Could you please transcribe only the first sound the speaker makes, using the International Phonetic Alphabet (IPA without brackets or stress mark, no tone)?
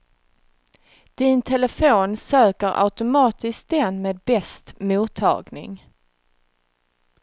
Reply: d̪̥